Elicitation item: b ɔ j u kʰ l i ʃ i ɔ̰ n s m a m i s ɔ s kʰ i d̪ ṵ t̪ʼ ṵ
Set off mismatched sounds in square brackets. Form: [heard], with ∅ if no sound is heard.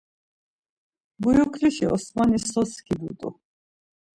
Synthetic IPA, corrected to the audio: b [u] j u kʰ l i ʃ i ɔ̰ [∅] s m a [n] i s ɔ s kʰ i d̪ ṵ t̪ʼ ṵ